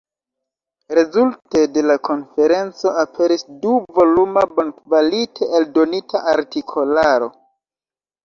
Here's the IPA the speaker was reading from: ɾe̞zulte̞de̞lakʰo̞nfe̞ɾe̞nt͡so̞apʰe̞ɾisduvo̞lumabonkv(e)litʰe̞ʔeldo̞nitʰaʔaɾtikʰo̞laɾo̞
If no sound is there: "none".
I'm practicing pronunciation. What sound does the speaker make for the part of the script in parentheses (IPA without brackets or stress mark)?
a